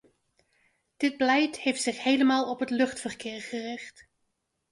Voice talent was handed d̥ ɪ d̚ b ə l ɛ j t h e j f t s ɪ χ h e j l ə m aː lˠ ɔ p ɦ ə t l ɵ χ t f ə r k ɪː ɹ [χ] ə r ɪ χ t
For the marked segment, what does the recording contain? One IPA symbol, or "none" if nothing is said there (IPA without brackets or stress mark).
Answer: χ